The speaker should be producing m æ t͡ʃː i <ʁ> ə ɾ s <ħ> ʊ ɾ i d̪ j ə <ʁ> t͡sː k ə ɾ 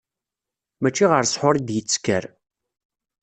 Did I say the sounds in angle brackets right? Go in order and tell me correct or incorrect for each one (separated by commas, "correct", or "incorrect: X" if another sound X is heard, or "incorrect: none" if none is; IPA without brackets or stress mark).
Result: correct, correct, incorrect: none